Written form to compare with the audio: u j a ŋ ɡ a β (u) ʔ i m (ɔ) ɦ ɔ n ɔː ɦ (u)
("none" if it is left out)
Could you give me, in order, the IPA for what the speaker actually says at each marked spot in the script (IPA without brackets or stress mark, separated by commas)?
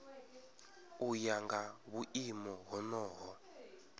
u, ɔ, ɔ